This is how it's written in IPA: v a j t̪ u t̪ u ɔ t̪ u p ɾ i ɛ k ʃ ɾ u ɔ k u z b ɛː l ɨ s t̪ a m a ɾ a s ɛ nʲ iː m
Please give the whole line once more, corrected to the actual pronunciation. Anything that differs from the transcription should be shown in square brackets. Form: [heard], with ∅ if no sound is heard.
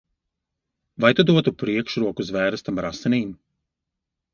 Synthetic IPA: v a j t̪ u [d̪] u ɔ t̪ u p ɾ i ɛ k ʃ ɾ u ɔ k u z [v] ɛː [ɾ] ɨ s t̪ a m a ɾ a s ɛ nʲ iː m